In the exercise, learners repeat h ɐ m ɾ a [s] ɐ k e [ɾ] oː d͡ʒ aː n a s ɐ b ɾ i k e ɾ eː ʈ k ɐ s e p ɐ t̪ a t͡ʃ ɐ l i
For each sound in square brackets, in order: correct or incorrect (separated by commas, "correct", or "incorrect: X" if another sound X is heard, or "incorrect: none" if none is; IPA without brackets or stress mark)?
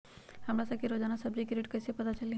correct, correct